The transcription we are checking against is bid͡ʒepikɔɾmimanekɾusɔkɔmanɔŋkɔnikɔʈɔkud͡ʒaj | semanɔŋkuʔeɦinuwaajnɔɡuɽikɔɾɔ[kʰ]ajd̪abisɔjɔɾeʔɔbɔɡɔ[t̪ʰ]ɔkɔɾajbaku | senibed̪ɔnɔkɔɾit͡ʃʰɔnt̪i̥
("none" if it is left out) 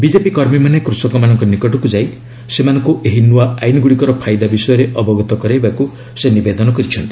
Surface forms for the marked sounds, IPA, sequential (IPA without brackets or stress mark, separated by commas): pʰ, t̪